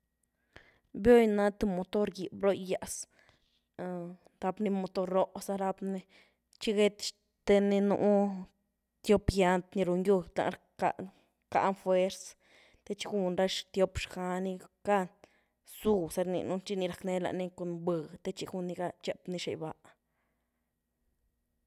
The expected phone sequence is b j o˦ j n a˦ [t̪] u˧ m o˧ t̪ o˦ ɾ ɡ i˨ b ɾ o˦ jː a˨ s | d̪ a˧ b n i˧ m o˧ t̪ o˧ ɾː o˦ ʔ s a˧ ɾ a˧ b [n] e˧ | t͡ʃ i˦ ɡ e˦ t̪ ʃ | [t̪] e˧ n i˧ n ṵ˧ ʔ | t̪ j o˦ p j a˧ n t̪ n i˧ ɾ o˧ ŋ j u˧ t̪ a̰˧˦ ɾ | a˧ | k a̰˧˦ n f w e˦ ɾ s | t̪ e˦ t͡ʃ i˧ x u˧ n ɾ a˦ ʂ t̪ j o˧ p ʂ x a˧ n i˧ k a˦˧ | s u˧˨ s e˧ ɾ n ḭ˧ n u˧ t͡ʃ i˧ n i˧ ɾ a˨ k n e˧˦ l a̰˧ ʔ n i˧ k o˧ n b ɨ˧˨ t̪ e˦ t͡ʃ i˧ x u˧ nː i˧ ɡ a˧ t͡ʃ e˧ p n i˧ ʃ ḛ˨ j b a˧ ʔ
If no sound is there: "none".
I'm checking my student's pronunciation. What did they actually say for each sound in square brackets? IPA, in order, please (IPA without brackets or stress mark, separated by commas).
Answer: t̪, n, t̪